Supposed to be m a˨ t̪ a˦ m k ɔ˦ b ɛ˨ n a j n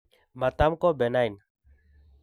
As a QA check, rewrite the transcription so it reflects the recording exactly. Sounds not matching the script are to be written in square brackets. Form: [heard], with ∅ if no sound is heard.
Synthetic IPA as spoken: m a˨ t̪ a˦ m k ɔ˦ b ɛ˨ n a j n

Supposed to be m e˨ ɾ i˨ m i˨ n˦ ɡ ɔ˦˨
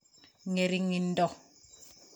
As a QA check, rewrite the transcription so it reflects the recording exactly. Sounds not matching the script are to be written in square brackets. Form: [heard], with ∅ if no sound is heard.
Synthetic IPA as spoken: [ŋ] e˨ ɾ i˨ [ŋ] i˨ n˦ [d] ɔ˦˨

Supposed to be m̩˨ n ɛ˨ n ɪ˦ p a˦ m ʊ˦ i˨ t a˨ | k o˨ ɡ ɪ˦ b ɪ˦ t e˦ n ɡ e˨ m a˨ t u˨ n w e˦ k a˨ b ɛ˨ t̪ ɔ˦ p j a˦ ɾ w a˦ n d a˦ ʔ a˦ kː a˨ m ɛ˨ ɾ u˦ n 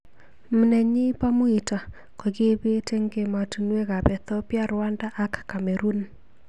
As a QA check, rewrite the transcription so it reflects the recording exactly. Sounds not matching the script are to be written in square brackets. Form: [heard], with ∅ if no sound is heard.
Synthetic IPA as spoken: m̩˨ n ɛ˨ [ɲ] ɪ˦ p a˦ m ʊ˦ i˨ t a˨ | k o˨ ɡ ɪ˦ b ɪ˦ t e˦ [ŋ] ɡ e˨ m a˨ t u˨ n w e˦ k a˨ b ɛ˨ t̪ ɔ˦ p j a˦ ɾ w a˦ n d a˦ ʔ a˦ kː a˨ m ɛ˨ ɾ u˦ n

